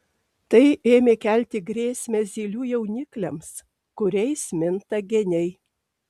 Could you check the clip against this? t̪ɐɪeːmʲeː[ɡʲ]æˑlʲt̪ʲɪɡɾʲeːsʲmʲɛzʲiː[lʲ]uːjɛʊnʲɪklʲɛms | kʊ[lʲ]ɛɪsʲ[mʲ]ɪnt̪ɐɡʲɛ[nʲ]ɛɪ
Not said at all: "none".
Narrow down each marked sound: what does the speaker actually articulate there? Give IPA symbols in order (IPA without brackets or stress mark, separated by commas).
kʲ, lʲ, ɾʲ, mʲ, nʲ